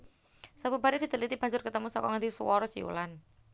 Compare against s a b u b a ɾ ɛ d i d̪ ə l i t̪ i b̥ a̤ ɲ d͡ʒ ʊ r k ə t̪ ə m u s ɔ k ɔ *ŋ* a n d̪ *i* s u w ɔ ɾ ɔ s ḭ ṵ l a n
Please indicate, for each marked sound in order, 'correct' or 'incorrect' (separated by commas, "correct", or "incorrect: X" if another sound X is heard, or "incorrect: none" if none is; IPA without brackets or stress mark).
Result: correct, correct